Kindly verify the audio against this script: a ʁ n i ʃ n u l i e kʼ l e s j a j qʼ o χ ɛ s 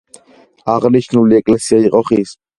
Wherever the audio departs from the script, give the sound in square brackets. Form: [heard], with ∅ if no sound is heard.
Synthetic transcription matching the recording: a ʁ n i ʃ n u l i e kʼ l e s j a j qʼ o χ [i] s